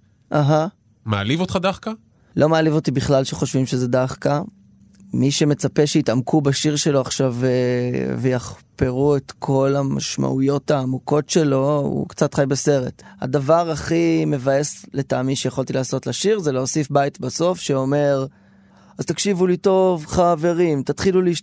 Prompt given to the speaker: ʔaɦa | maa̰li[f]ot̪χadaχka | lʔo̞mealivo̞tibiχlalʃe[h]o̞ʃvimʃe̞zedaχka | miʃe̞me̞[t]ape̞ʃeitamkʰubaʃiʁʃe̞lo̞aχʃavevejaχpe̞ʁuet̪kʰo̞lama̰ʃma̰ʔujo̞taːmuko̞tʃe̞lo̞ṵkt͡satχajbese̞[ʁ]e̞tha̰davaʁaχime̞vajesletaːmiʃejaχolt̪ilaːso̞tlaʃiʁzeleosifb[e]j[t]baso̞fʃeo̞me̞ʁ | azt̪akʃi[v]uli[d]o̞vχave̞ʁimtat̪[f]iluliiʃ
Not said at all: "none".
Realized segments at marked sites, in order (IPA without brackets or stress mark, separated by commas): v, χ, t͡s, ʁ, a, t, v, t, χ